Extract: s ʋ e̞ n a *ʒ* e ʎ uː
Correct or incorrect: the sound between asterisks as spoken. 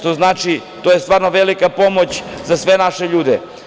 incorrect: ʃ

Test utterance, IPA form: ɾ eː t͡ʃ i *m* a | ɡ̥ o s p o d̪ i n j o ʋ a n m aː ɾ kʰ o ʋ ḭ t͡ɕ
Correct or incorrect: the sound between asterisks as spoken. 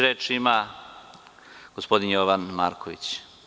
correct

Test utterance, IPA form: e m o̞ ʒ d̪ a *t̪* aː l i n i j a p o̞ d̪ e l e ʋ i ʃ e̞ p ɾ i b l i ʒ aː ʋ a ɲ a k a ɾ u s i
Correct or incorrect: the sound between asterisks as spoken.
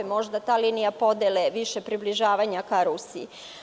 correct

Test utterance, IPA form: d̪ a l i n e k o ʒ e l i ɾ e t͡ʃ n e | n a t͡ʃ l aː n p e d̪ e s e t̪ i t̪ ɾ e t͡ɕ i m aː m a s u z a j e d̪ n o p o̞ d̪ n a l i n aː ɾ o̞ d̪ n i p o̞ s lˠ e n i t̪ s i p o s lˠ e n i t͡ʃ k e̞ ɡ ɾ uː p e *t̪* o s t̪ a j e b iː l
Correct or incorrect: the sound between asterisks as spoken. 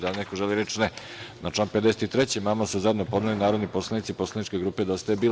incorrect: d̪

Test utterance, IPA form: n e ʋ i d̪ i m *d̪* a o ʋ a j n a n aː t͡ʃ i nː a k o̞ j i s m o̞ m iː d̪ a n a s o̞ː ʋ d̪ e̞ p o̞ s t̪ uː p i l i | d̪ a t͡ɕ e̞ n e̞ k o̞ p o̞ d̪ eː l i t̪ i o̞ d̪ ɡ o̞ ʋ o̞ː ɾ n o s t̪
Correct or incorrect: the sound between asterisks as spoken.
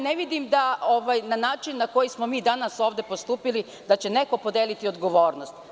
correct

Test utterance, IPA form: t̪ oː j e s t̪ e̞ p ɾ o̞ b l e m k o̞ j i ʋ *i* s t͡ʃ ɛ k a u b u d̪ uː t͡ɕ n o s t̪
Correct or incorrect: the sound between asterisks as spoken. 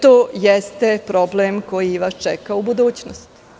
incorrect: a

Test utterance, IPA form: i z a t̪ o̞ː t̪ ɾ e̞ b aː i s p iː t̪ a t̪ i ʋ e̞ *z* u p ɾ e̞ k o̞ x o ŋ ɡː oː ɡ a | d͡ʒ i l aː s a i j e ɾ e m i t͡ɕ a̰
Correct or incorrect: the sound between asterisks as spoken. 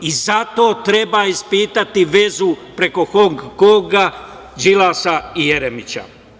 correct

